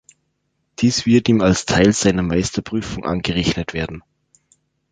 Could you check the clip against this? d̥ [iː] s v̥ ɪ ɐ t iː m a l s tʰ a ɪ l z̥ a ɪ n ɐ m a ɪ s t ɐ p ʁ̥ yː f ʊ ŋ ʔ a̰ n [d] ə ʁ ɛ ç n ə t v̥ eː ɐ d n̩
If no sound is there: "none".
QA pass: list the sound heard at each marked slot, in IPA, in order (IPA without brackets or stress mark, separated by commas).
iː, ɡ